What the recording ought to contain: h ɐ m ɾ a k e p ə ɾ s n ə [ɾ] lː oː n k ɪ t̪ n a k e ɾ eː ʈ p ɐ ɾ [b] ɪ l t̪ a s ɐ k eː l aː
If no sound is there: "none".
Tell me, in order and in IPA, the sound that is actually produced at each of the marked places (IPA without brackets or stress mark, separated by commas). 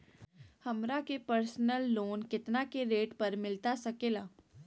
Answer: none, m